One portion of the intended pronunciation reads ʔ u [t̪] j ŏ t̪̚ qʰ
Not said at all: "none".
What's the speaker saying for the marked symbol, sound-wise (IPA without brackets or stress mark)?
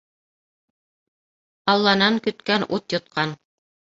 t̪